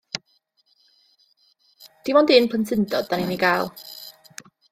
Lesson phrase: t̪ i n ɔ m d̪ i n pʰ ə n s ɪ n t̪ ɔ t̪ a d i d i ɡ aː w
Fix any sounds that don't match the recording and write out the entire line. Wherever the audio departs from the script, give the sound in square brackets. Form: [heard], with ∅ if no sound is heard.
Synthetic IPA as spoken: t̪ i [m] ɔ [n] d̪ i n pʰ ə n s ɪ n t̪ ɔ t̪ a [n] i [n] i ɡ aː w